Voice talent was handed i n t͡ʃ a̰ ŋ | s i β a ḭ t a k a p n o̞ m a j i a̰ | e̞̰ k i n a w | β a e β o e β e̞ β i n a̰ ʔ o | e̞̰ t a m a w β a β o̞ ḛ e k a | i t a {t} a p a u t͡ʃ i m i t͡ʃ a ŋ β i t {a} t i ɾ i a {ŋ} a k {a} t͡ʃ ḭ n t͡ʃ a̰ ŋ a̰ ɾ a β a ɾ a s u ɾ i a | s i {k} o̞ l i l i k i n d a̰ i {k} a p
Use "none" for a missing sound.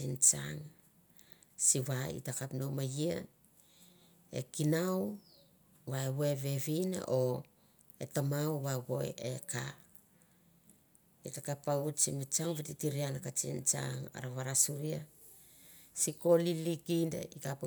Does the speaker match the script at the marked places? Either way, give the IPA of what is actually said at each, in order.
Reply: k, i, n, a, k, k

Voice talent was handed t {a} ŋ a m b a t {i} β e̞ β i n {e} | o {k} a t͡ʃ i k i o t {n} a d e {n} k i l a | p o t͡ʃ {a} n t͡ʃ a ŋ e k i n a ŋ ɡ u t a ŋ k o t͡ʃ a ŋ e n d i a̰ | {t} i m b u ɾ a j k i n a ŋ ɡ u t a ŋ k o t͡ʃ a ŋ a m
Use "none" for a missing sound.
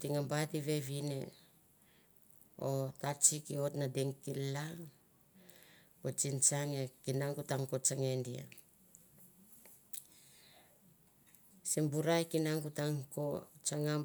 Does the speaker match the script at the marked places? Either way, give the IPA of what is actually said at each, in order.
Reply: i, i, e, t, n, ŋ, i, s

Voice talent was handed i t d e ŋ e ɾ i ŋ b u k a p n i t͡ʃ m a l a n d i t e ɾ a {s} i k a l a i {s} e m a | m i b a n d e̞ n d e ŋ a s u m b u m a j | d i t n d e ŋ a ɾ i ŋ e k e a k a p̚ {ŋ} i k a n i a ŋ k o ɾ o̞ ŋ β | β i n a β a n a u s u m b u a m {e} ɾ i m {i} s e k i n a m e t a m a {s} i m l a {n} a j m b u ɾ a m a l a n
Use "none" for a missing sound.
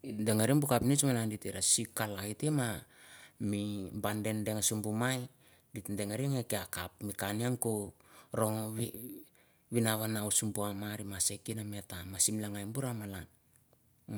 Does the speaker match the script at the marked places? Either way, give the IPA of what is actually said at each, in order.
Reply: s, t, m, a, a, s, ŋ

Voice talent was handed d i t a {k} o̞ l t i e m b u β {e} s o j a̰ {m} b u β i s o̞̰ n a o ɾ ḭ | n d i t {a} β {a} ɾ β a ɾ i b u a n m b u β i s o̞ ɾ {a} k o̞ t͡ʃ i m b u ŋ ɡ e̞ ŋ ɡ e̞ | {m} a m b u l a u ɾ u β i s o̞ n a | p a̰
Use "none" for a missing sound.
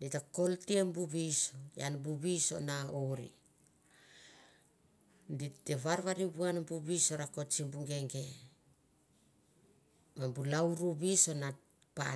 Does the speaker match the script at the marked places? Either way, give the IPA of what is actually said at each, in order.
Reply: k, i, n, e, a, a, m

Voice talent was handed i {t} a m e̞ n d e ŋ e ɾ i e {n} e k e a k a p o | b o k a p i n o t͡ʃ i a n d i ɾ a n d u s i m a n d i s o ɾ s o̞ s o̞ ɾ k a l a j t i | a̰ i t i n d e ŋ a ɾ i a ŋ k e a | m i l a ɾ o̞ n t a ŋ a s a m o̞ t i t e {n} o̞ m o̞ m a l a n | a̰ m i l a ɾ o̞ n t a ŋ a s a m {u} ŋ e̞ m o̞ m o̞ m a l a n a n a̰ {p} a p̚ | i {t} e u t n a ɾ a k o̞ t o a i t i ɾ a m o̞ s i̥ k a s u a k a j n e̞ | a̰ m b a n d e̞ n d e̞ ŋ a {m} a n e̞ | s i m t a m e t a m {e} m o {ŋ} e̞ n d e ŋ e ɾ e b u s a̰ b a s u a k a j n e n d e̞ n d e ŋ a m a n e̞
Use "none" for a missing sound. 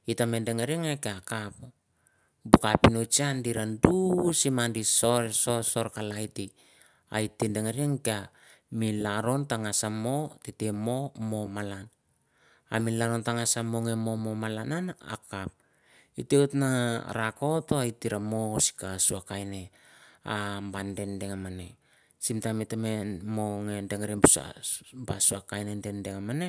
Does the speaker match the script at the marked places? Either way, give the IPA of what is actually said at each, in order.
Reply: t, ŋ, m, o, k, t, m, e, ŋ

